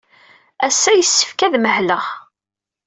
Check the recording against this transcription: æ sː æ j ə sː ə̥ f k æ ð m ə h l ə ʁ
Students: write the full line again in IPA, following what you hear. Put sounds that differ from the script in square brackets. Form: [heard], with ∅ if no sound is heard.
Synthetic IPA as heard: æ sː æ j ə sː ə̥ f k æ ð m ə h l ə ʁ